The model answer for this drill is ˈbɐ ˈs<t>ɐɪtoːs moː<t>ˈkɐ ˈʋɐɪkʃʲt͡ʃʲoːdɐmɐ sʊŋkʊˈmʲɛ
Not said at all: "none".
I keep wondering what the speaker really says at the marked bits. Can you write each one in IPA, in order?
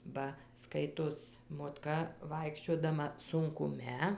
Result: k, t

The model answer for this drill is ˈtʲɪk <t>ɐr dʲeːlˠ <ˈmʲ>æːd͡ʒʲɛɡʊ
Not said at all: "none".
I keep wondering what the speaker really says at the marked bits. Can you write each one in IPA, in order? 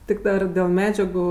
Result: d, mʲ

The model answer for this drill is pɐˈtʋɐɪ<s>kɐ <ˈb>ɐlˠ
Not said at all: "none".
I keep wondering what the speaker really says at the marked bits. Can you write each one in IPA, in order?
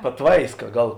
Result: s, ɡ

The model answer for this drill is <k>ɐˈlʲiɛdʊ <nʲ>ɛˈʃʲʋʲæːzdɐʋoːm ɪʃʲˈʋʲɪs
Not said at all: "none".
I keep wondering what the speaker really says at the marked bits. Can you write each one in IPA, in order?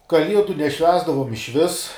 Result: k, nʲ

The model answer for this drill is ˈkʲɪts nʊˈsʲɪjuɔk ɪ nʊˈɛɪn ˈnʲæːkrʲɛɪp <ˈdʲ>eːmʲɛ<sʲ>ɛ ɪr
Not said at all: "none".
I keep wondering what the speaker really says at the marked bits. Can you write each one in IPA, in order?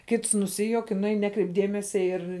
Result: dʲ, sʲ

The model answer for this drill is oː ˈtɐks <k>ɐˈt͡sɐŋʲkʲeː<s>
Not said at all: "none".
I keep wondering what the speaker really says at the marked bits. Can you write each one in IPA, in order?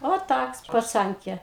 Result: p, none

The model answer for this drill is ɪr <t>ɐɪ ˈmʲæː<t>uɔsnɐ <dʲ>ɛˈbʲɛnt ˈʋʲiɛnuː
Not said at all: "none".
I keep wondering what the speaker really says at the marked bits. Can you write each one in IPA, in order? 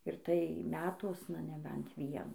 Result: t, t, nʲ

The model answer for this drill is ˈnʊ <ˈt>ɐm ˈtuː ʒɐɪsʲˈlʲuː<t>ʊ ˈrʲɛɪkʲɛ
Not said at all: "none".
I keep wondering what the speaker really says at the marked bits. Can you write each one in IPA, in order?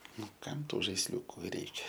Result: k, k

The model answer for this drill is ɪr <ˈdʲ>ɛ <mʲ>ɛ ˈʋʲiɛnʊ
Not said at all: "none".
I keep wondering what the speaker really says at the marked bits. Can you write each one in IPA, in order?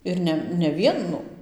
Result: nʲ, nʲ

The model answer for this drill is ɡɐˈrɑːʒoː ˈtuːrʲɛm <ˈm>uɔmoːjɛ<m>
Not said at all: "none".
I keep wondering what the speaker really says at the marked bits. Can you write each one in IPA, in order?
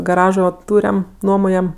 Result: n, m

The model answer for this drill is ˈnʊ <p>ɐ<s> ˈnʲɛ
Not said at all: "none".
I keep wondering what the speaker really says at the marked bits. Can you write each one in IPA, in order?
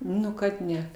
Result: k, t

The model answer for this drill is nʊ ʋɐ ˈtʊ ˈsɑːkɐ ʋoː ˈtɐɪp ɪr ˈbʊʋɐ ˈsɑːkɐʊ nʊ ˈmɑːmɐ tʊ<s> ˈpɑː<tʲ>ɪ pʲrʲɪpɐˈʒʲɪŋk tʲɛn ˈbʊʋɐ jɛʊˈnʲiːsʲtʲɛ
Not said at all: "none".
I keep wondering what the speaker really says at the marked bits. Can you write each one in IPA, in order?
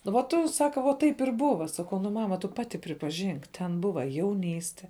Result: none, tʲ

